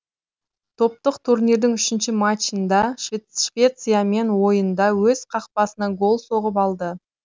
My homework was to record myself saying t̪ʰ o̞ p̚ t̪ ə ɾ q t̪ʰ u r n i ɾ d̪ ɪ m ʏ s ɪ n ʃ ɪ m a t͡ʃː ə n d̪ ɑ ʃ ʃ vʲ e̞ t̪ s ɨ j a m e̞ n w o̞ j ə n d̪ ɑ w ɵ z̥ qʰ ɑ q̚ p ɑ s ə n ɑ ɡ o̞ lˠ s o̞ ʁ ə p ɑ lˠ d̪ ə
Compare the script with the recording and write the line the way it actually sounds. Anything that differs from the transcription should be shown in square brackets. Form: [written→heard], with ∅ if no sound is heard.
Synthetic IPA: t̪ʰ o̞ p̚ t̪ ə [ɾ→∅] q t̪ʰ u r n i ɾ d̪ ɪ [m→ŋ] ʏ [s→ʃ] ɪ n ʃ ɪ m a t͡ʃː ə n d̪ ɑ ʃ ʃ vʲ e̞ t̪ s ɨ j a m e̞ n w o̞ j ə n d̪ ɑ w ɵ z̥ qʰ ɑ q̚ p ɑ s ə n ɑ ɡ o̞ lˠ s o̞ ʁ ə p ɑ lˠ d̪ ə